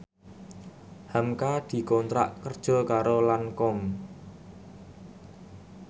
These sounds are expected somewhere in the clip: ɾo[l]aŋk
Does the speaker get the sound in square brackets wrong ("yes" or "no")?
no